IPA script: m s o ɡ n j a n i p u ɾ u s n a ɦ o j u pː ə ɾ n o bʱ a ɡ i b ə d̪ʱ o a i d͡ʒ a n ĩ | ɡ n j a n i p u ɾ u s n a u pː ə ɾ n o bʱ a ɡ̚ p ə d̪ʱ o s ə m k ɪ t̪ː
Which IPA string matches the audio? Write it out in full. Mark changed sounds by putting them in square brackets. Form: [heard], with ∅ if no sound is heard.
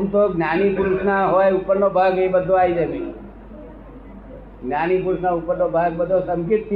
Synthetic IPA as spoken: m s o ɡ n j a n i p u ɾ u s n a ɦ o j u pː ə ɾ n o bʱ a ɡ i b ə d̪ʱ o a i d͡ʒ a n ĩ | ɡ n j a n i p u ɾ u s n a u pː ə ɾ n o bʱ a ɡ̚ [b] ə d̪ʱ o s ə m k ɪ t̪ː